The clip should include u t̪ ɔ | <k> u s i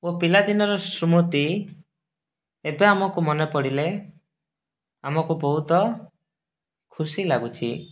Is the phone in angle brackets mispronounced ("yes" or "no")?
yes